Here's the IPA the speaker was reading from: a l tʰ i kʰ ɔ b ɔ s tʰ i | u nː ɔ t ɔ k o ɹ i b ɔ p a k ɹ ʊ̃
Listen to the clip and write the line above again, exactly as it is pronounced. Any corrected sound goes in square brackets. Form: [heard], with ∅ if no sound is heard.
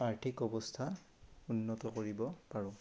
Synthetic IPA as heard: a [ɹ] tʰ i [k] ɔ b ɔ s tʰ [a] | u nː ɔ t ɔ k o ɹ i b ɔ p a [∅] ɹ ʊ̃